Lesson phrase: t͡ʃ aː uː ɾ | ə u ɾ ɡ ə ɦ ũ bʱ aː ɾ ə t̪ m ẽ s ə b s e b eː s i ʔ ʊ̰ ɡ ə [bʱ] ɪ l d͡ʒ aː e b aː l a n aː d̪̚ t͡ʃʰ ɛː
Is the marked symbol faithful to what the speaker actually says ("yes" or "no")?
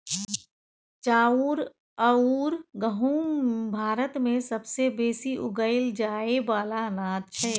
no